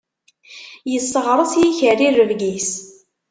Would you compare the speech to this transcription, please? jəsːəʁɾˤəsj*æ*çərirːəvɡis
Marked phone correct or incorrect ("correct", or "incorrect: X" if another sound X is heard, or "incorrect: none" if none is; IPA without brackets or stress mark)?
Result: incorrect: i